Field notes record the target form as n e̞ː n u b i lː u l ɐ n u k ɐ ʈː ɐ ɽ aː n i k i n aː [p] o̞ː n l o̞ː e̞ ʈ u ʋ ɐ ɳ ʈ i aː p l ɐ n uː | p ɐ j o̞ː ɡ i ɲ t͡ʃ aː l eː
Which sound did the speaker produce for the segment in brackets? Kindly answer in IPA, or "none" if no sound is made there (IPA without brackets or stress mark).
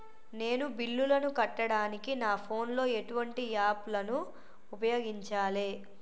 pʰ